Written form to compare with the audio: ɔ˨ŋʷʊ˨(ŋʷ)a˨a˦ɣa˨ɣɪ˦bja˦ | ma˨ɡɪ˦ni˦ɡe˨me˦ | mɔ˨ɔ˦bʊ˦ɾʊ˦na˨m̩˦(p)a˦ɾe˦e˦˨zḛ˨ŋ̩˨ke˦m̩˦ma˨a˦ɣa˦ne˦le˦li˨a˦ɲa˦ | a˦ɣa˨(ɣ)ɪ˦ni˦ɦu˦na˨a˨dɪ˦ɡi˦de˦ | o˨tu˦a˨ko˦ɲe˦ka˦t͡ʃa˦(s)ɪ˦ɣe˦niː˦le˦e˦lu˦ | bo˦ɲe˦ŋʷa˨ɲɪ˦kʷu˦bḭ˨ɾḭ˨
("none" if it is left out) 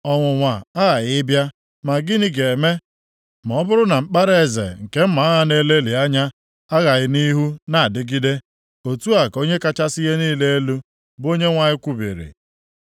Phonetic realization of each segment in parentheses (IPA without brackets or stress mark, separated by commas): ŋʷ, k͡p, ɣ, s